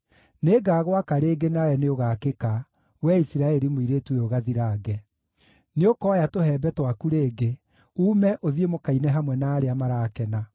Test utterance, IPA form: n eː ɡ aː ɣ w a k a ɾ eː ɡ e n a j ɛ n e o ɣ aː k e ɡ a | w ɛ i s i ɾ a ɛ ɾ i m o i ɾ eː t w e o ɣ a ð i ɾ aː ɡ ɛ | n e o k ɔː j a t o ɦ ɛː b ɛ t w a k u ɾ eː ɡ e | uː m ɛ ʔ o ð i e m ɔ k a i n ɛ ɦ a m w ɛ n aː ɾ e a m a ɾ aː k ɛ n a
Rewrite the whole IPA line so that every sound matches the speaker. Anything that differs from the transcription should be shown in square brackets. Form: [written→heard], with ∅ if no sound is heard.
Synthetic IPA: n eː ɡ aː ɣ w a k a ɾ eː ɡ e n a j ɛ n e o ɣ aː k e [ɡ→k] a | w ɛ i s i ɾ a ɛ ɾ i m o i ɾ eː t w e o ɣ a ð i ɾ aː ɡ ɛ | n e o k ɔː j a t o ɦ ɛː b ɛ t w a k u ɾ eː ɡ e | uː m ɛ ʔ o ð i e m [ɔ→o] k a i n ɛ ɦ a m w ɛ n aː ɾ e a m a ɾ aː k ɛ n a